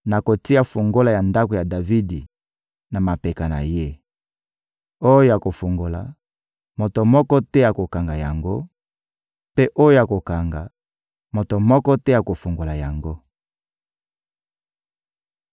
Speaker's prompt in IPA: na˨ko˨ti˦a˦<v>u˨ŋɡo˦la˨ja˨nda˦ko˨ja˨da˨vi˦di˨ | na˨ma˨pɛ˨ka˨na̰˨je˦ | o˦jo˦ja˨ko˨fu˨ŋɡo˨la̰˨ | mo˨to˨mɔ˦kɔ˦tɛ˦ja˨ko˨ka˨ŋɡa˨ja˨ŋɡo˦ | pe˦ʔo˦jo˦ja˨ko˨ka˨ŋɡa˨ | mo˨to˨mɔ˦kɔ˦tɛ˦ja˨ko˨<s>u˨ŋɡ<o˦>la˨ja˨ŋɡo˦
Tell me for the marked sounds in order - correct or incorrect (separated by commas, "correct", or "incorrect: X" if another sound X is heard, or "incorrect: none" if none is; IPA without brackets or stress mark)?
incorrect: f, incorrect: f, incorrect: o˨